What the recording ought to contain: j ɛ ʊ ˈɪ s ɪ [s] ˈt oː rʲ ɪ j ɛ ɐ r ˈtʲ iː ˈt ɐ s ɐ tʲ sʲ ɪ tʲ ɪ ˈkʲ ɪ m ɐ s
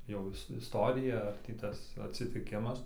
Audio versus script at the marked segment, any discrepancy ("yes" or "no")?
no